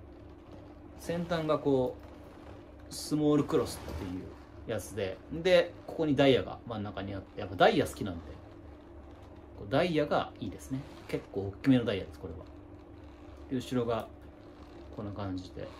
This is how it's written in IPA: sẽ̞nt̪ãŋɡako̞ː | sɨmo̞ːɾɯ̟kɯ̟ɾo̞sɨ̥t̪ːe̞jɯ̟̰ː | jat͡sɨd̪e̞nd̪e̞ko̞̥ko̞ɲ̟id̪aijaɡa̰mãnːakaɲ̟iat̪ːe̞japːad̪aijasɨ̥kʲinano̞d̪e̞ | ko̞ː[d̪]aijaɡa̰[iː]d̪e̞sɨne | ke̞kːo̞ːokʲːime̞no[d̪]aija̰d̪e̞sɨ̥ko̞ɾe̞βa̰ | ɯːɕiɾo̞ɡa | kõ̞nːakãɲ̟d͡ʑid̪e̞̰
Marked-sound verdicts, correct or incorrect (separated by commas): correct, correct, correct